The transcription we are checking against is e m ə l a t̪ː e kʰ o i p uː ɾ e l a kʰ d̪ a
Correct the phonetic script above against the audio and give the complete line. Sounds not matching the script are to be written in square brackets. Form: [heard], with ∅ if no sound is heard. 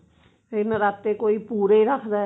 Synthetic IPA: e [n] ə [ɾ] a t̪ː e [k] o i p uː ɾ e [ɾ] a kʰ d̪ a